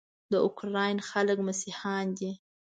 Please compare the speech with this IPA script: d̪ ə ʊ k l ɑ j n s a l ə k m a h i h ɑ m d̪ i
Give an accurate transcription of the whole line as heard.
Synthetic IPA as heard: d̪ ə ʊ k ɾ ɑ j n x a l ə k m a s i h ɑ n d̪ i